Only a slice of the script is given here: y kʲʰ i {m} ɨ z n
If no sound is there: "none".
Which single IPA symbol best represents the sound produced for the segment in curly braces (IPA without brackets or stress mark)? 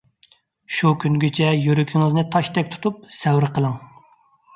ŋ